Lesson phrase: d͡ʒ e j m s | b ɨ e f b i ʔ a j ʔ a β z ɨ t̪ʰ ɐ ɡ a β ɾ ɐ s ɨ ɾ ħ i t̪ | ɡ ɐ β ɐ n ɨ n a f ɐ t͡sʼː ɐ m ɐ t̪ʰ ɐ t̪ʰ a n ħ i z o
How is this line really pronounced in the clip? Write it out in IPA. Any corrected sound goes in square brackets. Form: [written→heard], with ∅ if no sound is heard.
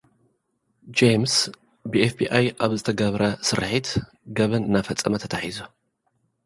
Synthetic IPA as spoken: d͡ʒ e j m s | b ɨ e f b i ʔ a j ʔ a β z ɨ t̪ʰ ɐ ɡ [a→ɐ] β ɾ ɐ s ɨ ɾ ħ i t̪ | ɡ ɐ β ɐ n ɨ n a f ɐ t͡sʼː ɐ m ɐ t̪ʰ ɐ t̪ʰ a [n→∅] ħ i z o